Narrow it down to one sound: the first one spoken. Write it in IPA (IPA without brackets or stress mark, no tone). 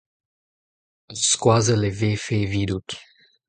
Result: s